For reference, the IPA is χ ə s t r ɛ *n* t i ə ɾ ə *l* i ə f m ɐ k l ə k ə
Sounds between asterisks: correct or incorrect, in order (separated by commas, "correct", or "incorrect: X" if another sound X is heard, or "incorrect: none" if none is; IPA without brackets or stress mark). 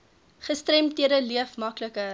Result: incorrect: m, correct